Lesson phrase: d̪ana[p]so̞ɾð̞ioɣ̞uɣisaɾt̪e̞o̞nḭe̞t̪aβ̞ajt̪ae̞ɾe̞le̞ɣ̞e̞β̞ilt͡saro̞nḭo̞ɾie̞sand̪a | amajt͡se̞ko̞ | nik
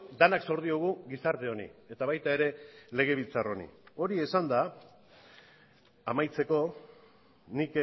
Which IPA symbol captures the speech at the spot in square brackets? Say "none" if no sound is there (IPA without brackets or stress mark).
k